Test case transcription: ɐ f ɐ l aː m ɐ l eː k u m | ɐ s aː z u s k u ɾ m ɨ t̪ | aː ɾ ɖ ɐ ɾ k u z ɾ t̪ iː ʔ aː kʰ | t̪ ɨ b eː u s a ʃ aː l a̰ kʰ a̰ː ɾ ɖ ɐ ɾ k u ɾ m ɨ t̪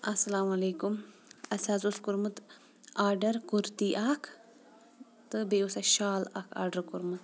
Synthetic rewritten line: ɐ s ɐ l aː m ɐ l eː k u m | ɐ s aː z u s k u ɾ m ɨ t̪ | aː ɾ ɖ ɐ ɾ k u ɾ t̪ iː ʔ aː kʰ | t̪ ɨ b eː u s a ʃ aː l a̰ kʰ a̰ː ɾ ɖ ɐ ɾ k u ɾ m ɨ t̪